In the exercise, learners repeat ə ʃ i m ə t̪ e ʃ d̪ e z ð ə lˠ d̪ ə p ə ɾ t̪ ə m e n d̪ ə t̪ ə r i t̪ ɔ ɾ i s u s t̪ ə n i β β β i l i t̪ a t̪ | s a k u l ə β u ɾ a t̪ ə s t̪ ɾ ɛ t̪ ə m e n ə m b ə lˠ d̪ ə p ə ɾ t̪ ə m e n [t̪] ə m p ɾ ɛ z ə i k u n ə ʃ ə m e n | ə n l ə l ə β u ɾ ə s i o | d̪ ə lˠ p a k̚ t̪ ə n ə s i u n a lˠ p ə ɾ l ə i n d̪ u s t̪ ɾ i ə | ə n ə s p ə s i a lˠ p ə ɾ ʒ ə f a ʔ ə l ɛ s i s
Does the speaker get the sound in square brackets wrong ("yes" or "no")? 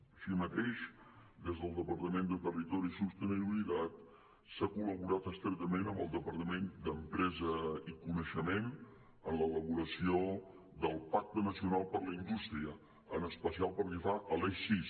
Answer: yes